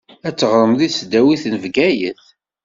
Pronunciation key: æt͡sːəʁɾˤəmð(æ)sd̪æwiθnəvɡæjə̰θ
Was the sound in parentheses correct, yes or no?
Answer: no